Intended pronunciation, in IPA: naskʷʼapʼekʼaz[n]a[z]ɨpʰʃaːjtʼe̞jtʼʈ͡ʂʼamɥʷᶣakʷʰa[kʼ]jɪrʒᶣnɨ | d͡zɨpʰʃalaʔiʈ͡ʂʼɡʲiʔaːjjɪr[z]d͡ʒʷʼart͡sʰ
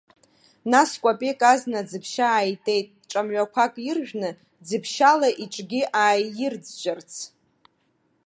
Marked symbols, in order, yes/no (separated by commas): yes, no, yes, no